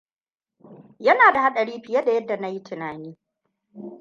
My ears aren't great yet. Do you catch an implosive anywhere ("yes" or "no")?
yes